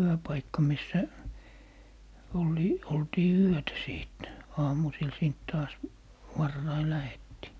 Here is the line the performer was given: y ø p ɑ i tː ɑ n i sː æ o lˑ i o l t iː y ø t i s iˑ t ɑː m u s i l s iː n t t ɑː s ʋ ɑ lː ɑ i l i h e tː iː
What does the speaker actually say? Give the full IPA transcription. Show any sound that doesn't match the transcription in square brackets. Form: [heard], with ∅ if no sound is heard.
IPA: y ø p ɑ i [kː] ɑ [m] i sː æ o lˑ i o l t iː y ø t [æ] s iˑ t ɑː m u s i l s iː n t t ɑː s ʋ ɑ [rː] ɑ i l [æ] h e tː iː